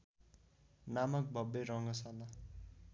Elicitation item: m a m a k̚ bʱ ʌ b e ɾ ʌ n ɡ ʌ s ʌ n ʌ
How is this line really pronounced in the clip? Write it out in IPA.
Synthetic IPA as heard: n a m ʌ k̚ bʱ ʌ b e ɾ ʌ ŋ ɡ ʌ s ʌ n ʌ